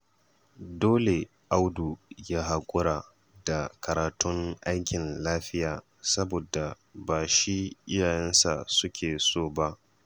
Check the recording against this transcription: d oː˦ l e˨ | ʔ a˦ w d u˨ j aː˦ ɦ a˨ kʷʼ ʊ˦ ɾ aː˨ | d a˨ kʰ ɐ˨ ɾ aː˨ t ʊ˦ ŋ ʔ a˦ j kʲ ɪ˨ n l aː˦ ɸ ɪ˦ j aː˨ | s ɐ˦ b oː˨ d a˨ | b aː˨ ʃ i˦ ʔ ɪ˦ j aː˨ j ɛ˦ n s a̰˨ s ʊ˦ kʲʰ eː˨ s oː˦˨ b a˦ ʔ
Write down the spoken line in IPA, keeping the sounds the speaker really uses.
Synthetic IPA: d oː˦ l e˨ | ʔ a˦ w d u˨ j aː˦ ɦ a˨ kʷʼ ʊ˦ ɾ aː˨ | d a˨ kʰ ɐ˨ ɾ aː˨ t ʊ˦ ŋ ʔ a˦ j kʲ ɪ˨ n l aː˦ ɸ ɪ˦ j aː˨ | s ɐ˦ b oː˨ d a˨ | b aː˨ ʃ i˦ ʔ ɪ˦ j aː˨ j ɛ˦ n s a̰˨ s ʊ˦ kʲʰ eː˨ s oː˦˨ b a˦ ʔ